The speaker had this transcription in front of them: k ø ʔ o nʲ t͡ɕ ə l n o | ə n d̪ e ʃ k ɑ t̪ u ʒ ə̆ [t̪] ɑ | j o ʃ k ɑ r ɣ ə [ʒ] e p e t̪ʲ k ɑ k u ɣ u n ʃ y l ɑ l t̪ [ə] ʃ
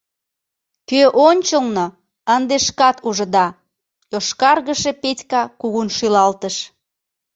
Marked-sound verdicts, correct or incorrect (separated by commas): incorrect, incorrect, correct